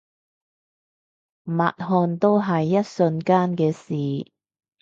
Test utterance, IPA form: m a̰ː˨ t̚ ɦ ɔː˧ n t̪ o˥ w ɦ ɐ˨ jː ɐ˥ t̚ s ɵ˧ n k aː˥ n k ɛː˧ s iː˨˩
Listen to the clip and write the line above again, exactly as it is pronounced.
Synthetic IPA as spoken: m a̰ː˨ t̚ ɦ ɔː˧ n t̪ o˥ w ɦ ɐ˨ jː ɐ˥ t̚ s ɵ˧ n k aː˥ n k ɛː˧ s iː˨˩